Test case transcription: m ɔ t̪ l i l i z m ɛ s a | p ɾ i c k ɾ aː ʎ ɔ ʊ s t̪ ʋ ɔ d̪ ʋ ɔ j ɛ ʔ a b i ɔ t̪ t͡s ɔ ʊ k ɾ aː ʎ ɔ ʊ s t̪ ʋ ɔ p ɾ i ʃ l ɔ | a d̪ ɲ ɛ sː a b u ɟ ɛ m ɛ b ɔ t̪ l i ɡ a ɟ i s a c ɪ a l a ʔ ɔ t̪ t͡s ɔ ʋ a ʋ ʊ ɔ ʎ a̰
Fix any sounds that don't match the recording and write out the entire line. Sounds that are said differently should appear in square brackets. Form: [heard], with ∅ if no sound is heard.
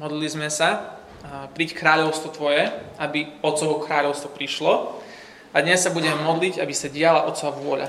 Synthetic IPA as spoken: m ɔ [d̪] l i l i z m ɛ s a | p ɾ i c k ɾ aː ʎ ɔ ʊ s t̪ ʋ ɔ [t̪] ʋ ɔ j ɛ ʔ a b i ɔ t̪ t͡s ɔ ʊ k ɾ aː ʎ ɔ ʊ s t̪ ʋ ɔ p ɾ i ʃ l ɔ | a d̪ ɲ ɛ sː a b u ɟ ɛ m ɛ [m] ɔ [d̪] l i [ɟ] a [b] i s a [ɟ] ɪ a l a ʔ ɔ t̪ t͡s ɔ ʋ a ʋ ʊ ɔ ʎ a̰